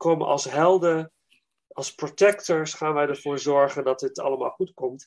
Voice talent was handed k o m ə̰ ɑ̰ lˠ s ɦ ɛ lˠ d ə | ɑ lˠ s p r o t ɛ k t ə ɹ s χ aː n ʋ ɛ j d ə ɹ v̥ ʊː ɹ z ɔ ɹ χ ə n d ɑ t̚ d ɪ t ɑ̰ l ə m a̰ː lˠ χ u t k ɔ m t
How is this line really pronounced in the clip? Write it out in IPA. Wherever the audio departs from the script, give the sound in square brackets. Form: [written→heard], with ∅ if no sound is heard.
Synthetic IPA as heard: k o m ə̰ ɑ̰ lˠ s ɦ ɛ lˠ d ə | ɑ lˠ s p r o t ɛ k t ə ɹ s χ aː n ʋ ɛ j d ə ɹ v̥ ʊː ɹ z ɔ ɹ χ ə n d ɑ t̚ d ɪ t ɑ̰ l ə m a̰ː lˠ χ u t k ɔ m t